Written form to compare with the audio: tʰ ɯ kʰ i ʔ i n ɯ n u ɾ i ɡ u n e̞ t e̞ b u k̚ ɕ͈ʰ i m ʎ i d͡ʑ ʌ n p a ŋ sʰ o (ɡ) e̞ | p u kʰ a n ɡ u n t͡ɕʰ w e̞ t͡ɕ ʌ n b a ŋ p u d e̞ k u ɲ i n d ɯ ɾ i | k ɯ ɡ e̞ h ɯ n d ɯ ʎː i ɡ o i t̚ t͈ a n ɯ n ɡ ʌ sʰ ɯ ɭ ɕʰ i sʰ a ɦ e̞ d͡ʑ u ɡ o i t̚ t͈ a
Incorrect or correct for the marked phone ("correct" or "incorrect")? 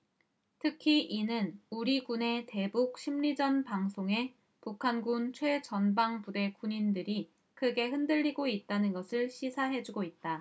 incorrect